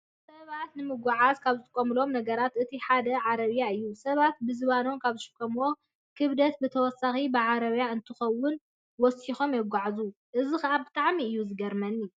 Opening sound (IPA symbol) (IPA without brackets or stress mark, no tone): s